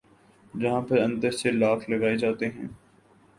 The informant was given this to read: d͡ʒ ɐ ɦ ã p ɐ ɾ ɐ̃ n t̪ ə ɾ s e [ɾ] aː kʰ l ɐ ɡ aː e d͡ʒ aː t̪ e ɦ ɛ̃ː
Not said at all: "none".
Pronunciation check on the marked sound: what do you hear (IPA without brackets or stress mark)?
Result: l